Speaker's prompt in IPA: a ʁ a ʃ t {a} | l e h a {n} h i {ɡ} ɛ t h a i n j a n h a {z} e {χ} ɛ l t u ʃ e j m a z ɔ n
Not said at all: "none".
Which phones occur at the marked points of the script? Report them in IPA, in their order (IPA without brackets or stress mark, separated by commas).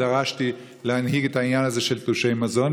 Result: i, n, ɡ, z, ʃ